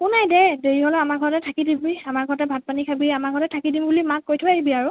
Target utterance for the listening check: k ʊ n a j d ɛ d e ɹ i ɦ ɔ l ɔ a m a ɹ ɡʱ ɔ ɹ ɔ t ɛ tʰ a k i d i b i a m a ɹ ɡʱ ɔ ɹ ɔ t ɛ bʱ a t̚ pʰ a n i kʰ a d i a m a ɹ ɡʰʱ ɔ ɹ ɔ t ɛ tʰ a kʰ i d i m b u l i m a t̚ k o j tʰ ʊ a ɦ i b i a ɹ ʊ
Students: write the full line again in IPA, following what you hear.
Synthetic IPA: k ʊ n a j d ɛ d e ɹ i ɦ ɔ l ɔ a m a ɹ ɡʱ ɔ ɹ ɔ t ɛ tʰ a k i d i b i a m a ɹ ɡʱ ɔ ɹ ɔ t ɛ bʱ a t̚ p a n i kʰ a b i a m a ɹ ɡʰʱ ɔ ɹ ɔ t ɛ tʰ a k i d i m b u l i m a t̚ k o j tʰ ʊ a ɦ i b i a ɹ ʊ